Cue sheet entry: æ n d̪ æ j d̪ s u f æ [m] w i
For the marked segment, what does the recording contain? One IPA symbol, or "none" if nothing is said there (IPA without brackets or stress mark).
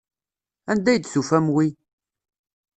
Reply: m